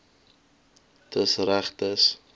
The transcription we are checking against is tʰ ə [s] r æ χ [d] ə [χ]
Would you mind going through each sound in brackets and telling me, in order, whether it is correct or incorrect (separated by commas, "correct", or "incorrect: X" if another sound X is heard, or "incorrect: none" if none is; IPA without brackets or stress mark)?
correct, incorrect: t, incorrect: s